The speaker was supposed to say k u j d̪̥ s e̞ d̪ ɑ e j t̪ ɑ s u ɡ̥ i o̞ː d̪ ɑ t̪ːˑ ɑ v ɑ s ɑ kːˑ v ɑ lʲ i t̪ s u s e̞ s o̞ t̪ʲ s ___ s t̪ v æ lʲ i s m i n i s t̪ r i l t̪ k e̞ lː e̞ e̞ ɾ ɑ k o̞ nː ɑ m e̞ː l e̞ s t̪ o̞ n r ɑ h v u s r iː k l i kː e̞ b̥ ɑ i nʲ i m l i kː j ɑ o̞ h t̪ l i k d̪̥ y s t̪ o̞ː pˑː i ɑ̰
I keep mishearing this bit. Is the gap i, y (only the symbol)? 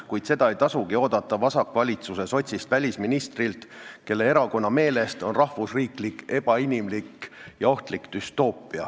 i